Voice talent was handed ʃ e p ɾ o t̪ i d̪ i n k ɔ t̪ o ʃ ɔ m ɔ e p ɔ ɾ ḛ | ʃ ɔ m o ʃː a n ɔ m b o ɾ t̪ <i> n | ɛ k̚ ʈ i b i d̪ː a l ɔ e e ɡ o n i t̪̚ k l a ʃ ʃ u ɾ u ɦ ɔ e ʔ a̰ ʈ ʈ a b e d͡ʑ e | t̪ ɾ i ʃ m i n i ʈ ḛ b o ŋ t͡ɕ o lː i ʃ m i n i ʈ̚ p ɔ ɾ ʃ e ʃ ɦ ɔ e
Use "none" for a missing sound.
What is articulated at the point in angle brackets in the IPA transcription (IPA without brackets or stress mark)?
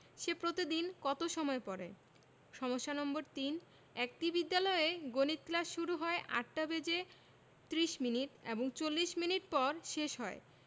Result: i